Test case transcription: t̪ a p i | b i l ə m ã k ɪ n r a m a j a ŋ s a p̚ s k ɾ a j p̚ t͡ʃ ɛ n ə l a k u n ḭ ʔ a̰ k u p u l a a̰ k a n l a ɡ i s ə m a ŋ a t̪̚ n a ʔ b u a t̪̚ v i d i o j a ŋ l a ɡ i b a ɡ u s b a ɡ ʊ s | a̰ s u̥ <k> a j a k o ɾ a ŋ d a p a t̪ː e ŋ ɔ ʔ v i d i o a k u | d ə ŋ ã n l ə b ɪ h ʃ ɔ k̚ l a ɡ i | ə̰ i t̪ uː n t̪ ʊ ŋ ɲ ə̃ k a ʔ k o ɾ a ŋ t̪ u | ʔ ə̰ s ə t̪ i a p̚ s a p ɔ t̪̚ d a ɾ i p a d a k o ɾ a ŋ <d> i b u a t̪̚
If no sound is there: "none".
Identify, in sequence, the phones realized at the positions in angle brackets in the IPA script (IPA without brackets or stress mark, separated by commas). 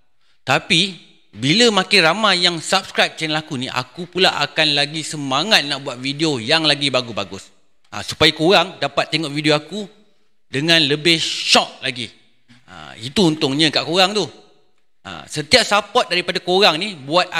p, n